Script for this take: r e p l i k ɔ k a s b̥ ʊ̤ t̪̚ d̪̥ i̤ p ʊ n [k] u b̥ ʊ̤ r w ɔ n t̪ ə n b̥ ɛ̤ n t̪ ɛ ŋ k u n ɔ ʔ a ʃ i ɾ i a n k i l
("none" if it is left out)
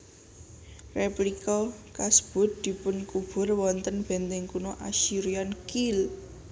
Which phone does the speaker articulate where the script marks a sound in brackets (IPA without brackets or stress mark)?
k